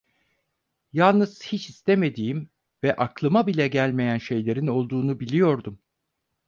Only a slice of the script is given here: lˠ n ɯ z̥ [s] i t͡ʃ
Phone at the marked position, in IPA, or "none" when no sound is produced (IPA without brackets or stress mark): h